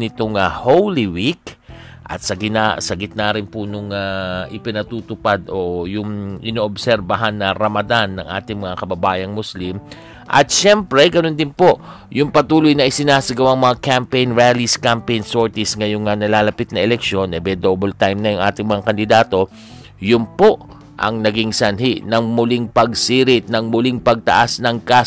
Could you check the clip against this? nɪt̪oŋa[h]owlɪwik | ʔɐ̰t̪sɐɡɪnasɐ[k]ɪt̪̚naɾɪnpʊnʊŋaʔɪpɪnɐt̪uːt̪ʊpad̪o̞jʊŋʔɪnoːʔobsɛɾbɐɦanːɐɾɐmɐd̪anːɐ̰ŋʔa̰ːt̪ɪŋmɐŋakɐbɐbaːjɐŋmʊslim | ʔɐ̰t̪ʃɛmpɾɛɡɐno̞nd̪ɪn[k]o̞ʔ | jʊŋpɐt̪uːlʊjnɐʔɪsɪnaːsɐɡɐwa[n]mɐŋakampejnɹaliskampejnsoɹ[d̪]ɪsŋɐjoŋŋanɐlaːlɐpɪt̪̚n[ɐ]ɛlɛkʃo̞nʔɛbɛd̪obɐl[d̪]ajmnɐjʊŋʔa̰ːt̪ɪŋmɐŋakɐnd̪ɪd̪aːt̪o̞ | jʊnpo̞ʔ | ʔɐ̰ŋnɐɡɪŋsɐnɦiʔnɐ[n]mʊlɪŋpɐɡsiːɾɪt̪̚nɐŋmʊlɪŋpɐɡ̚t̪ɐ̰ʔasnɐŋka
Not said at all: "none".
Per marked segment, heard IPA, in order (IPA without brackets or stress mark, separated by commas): h, ɡ, p, ŋ, t̪, ɐ, t̪, ŋ